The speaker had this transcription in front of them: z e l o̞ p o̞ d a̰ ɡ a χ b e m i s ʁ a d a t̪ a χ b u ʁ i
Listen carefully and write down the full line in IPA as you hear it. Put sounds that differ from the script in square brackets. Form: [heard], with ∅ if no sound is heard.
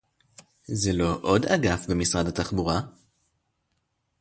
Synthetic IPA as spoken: z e l o̞ [ʔ] o̞ d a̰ ɡ a [f] b e m i s ʁ a d a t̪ a χ b u ʁ [a]